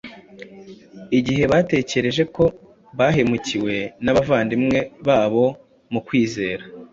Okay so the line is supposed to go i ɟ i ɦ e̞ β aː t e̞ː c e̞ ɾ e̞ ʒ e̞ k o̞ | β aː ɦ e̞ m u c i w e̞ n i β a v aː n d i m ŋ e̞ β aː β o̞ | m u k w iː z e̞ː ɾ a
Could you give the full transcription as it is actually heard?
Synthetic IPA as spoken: i ɟ i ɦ e̞ β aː t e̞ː c e̞ ɾ e̞ ʒ e̞ k o̞ | β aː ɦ e̞ m u c i w e̞ n a β a v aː n d i m ŋ e̞ β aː β o̞ | m u k w iː z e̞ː ɾ a